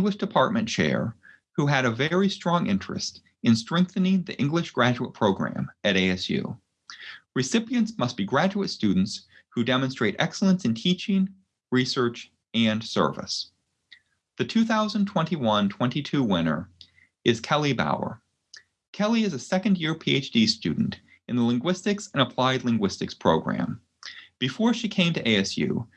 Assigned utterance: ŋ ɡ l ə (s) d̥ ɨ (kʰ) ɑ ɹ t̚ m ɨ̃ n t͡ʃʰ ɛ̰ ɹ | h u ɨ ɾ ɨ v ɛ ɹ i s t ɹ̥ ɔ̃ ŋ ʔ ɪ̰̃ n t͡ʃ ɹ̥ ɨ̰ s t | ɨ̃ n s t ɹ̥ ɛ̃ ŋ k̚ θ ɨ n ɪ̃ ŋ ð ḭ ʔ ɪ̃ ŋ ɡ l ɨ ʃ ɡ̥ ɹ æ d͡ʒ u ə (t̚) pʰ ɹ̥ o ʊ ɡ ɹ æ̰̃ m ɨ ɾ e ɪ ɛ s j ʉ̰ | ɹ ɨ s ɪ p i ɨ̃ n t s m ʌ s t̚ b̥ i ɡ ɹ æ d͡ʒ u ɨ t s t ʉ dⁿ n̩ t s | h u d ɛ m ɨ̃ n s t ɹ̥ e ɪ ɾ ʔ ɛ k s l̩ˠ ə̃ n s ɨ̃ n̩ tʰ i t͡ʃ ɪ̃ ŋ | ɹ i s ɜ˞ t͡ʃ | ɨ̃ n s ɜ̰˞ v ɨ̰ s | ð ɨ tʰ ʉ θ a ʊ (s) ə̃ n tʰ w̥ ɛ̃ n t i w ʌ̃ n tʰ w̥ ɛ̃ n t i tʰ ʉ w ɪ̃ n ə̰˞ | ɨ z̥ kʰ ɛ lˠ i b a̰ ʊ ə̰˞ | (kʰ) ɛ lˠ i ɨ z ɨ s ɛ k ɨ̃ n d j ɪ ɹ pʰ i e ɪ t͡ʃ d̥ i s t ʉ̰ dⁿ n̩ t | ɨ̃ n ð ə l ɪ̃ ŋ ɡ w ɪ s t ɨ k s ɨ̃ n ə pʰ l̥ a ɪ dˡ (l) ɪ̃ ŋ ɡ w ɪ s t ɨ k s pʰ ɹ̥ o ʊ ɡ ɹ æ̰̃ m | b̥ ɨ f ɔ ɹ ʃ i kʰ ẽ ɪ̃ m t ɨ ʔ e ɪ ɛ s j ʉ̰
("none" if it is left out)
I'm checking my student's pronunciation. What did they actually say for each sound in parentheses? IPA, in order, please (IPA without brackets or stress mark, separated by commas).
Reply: ʃ, pʰ, t̚, z, kʰ, l